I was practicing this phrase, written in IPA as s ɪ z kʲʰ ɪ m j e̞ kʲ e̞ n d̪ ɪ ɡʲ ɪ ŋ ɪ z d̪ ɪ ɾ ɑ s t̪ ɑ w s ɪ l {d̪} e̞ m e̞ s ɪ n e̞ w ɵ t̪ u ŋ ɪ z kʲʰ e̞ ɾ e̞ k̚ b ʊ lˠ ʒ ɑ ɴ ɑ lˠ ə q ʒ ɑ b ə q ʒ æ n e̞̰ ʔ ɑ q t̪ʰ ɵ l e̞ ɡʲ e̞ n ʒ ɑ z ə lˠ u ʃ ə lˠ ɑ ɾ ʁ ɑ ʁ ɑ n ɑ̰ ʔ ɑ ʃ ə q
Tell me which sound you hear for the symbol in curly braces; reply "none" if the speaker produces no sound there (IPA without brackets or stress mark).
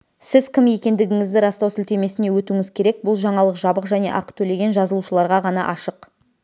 t̪